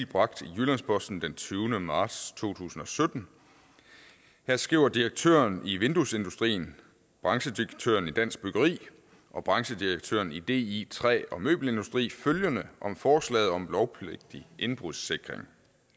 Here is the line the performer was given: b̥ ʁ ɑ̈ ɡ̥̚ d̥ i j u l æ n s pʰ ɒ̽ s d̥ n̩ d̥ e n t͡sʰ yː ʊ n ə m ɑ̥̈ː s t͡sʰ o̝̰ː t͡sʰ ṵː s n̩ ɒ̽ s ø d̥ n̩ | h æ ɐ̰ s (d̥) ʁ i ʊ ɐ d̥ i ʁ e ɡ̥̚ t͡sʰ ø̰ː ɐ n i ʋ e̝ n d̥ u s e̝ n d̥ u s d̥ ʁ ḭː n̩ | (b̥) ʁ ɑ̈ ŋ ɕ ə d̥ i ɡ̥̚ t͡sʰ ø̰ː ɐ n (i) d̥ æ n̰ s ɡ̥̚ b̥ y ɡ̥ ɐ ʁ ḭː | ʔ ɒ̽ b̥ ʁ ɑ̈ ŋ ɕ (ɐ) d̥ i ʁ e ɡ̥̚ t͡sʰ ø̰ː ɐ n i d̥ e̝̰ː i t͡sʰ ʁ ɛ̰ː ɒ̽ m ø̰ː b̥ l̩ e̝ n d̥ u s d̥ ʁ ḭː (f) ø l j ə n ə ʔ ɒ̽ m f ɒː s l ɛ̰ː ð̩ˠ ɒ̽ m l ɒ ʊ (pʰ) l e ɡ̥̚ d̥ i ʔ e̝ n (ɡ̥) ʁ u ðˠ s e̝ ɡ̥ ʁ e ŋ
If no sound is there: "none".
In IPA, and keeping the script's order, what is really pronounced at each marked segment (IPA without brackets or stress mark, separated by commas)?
ɡ̥, b̥, i, ə, f, pʰ, b̥